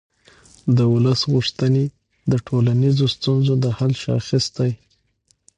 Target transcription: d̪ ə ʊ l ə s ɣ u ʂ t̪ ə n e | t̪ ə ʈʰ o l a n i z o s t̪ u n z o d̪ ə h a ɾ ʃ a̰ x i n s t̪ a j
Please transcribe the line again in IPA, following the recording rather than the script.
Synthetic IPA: d̪ ə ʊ l ə s ɣ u ʂ t̪ ə n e | d̪ ə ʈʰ o l a n i z o s t̪ u n z o d̪ ə h a l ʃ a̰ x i s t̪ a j